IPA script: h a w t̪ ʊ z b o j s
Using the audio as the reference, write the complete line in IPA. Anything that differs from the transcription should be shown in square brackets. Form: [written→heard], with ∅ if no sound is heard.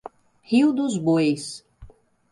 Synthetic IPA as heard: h [a→i] w [t̪→d̪] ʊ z b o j s